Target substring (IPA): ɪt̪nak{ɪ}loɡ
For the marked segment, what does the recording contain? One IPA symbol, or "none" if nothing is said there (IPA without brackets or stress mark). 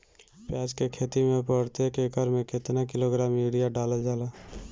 ɪ